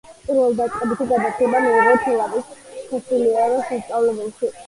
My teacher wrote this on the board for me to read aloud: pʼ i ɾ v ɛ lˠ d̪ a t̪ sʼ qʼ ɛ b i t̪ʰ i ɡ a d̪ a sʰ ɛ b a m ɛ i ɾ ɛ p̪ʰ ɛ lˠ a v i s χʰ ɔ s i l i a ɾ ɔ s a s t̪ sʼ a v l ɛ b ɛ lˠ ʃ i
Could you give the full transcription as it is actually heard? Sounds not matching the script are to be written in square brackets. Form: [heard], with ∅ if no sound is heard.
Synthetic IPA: pʼ i ɾ v ɛ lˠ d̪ a t̪ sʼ qʼ ɛ b i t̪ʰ i ɡ a d̪ a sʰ ɛ b a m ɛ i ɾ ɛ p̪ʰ ɛ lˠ a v i s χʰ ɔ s i l i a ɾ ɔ s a s t̪ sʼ a v l ɛ b ɛ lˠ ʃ i